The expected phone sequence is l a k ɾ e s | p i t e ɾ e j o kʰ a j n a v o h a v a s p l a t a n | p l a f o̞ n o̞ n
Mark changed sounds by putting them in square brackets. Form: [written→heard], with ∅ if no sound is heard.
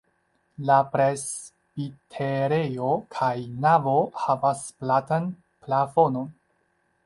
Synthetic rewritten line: l a [k→p] ɾ e s | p i [t→tʰ] e ɾ e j o kʰ a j n a v o h a v a s p l a t a n | p l a f o̞ n o̞ n